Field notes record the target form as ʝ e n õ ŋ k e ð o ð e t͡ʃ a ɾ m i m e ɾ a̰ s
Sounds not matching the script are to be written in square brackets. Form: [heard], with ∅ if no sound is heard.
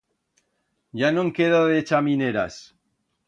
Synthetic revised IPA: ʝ [a] n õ ŋ k e ð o ð e t͡ʃ a [∅] m i [n] e ɾ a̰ s